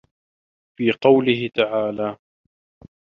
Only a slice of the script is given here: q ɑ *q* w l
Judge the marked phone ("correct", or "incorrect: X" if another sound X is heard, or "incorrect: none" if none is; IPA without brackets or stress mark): incorrect: none